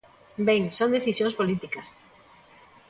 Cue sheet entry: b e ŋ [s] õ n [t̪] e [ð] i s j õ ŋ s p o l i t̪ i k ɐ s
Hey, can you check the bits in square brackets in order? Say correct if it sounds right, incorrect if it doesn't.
correct, incorrect: d̪, incorrect: θ

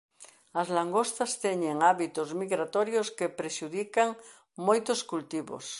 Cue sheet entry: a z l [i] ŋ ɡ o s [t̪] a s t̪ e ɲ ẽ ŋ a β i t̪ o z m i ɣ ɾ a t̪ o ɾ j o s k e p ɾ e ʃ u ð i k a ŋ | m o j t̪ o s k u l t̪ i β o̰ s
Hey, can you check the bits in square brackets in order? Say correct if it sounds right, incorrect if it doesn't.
incorrect: a, correct

